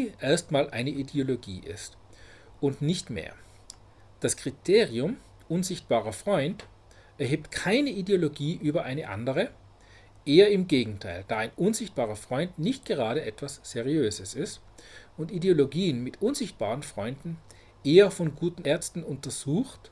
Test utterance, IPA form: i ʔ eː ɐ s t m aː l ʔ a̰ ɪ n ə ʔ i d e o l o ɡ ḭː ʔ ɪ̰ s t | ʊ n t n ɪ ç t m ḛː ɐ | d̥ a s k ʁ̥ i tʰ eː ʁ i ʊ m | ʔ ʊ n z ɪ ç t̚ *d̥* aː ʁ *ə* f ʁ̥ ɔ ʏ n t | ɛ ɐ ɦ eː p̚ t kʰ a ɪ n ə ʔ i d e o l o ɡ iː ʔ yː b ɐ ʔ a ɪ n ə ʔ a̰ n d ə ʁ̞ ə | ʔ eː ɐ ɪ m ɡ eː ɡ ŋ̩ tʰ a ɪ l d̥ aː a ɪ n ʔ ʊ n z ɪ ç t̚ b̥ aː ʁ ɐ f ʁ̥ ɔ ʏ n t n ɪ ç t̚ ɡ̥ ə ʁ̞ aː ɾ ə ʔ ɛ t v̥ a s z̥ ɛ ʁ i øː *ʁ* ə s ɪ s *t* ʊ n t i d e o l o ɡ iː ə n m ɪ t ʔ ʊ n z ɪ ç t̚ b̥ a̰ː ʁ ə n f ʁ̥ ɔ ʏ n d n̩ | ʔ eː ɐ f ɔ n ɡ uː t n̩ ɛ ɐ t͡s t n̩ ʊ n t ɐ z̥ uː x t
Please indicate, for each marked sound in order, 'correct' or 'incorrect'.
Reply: incorrect: b̥, incorrect: ɐ, incorrect: z, correct

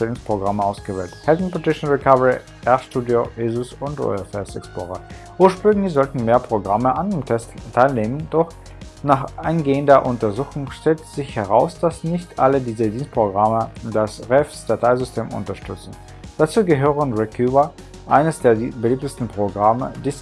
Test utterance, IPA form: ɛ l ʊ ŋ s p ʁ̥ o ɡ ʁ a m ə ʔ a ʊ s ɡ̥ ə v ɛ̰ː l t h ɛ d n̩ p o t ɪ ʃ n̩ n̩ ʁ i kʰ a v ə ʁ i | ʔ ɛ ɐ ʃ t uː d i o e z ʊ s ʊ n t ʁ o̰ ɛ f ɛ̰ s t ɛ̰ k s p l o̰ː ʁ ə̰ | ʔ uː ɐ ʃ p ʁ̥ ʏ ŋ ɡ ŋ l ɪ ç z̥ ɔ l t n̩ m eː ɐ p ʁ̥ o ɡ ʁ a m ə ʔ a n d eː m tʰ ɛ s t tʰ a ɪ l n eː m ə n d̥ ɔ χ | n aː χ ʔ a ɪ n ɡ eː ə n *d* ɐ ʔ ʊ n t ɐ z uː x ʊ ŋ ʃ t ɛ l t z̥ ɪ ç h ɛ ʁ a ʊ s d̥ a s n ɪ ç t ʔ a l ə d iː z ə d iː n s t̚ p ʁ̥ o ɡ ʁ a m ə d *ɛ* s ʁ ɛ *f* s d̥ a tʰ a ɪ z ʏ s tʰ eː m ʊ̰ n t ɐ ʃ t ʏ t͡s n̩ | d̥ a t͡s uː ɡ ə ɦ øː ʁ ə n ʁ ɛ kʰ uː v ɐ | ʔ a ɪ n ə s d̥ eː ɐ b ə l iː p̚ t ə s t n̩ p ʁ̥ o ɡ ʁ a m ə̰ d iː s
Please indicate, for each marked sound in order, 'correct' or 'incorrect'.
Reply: correct, incorrect: a, correct

